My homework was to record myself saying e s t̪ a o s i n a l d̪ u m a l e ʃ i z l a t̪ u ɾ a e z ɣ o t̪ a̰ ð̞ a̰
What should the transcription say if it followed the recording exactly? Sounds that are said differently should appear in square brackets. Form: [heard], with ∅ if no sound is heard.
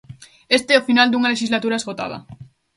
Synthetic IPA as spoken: e s t̪ [e] o [f] i n a l d̪ u [ŋ] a l e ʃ i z l a t̪ u ɾ a e z ɣ o t̪ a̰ ð̞ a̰